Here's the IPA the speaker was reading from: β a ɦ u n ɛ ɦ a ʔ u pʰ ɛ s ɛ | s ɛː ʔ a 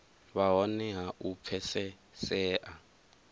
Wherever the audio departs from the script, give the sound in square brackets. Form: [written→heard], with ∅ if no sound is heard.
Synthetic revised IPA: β a ɦ [u→ɔ] n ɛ ɦ a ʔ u pʰ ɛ s ɛ | s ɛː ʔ a